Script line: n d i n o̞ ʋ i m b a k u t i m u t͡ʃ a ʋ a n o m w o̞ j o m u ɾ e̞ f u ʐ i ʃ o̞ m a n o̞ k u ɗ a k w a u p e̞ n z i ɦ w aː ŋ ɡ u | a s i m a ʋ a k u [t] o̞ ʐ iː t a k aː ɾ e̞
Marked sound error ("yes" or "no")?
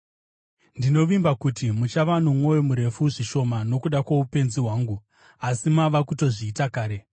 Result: no